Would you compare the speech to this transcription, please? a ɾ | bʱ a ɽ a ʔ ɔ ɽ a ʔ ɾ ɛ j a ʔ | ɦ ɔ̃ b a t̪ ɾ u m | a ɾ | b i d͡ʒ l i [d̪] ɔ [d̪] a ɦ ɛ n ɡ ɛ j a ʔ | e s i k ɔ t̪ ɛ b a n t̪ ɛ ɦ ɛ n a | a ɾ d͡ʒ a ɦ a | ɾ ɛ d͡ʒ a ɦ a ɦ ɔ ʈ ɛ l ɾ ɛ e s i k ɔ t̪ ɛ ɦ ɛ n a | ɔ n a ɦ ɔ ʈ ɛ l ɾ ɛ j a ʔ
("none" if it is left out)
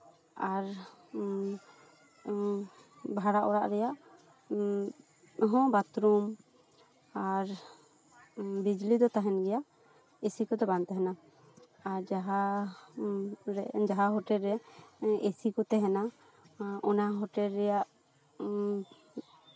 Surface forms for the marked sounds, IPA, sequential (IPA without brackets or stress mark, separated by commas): d̪, t̪